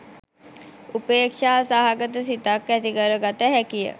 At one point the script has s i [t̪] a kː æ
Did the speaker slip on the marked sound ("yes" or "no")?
no